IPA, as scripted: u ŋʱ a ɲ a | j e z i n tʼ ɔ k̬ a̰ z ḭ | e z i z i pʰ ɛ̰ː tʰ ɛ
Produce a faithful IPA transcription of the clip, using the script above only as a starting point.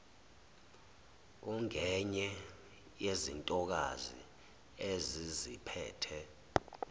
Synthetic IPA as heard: u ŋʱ ɛ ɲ ɛ | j e z i n tʼ ɔ k̬ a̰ z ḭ | e z i z i pʰ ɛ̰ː tʰ ɛ

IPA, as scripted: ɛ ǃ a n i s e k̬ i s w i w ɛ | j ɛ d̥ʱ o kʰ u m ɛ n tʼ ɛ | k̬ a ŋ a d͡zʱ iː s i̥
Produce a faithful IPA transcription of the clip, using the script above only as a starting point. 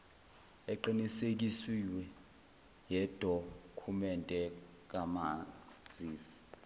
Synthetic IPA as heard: ɛ ǃ i n i s e k̬ i s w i w ɛ | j ɛ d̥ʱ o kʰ u m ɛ n tʼ ɛ | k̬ a m a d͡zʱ iː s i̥

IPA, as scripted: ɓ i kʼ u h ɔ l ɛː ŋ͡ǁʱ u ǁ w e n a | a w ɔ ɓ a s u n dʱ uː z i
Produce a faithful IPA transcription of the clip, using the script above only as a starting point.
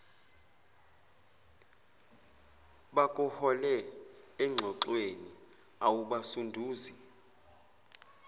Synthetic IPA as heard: ɓ a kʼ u h ɔ l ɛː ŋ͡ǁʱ ɔ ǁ w e n i | a w u ɓ a s u n dʱ uː z i

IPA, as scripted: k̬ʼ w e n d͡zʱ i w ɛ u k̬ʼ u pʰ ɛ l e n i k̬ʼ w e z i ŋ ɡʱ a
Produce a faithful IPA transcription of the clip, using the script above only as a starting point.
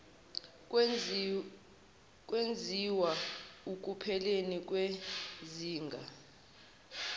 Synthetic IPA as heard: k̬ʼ w e n d͡zʱ i w a u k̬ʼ u pʰ ɛ l e n i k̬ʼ w e z iː ŋ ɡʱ a

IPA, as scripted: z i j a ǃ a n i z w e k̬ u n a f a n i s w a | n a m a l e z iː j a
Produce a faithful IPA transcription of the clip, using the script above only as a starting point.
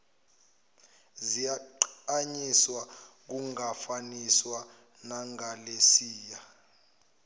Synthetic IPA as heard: z i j a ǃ a ɲ i s w a k̬ u ŋ a f a n i s w a | n a ŋ a l e s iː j a

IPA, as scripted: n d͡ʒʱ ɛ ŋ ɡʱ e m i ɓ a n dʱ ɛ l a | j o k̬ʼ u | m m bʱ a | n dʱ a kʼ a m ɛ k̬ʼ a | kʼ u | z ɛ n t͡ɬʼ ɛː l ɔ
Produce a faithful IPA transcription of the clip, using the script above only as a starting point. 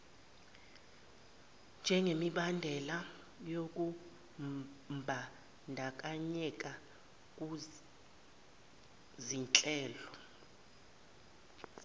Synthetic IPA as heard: n d͡ʒʱ ɛ ŋ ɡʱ e m i ɓ a n dʱ ɛ l a | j o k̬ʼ u | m m bʱ a | n dʱ a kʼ a ɲ ɛ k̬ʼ a | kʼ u | z i n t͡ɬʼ ɛː l ɔ

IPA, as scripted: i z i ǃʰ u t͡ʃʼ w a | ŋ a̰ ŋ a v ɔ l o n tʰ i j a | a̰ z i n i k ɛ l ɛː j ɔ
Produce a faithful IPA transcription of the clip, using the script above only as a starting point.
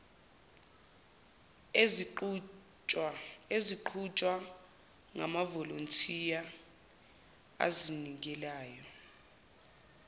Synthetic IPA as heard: e z i ǃʰ u t͡ʃʼ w a | ŋ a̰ m a v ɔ l o n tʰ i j a | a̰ z i n i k ɛ l aː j ɔ

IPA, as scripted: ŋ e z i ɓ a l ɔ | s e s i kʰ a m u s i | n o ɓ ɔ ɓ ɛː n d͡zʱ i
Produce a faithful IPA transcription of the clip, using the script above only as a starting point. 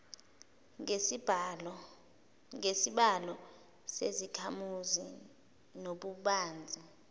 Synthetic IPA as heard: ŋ e s i ɓ a l ɔ | s e z i kʰ a m u z i | n o ɓ u ɓ aː n d͡zʱ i

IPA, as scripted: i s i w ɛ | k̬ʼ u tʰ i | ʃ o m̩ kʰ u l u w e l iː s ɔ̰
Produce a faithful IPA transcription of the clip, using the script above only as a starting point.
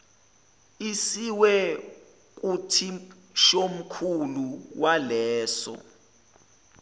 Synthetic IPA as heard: i s i w ɛ | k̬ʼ u tʰ i | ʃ o m̩ kʰ u l u w a l ɛː s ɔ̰

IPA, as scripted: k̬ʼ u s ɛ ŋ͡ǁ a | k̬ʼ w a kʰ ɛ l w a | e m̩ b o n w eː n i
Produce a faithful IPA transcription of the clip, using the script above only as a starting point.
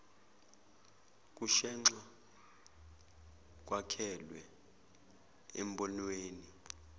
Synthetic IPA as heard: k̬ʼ u ʃ ɛ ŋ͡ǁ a | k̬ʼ w a kʰ ɛ l w ɛ | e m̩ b ɔ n w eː n i

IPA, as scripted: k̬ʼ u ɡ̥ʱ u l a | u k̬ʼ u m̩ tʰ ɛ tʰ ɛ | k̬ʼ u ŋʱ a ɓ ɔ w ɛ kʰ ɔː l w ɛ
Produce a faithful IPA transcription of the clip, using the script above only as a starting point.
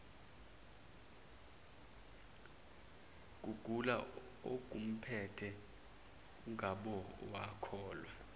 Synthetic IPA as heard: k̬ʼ u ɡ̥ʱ u l a | o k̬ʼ u m̩ pʰ ɛ tʰ ɛ | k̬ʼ u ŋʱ a ɓ ɔ w a kʰ ɔː l w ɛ

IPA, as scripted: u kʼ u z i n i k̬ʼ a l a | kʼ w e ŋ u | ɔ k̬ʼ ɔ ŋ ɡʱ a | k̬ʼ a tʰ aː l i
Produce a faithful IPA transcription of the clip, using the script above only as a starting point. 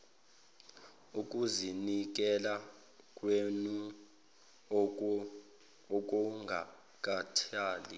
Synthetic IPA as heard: u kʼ u z i n i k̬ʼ ɛ l a | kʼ w e n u | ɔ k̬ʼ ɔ ŋ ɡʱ a | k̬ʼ a tʰ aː l i

